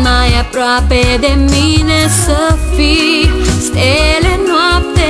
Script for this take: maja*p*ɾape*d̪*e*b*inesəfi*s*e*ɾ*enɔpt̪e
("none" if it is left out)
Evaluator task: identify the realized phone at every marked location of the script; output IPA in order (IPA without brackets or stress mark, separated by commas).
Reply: p, d̪, m, s, l